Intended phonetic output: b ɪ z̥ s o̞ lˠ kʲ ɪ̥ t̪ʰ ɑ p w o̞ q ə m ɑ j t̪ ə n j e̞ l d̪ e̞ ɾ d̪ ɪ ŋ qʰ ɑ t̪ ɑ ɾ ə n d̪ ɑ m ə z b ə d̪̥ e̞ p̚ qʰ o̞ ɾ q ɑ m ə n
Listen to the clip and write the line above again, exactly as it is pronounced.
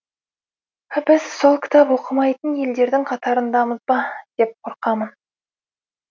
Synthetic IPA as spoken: b ɪ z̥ s o̞ lˠ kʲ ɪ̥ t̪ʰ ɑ p w o̞ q ə m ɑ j t̪ ə n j e̞ l d̪ e̞ ɾ d̪ ɪ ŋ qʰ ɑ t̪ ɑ ɾ ə n d̪ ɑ m ə z b ɑ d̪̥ e̞ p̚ qʰ o̞ ɾ q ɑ m ə n